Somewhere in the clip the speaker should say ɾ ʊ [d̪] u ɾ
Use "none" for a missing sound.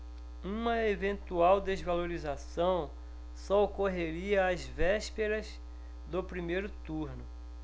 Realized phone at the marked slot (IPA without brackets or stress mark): t̪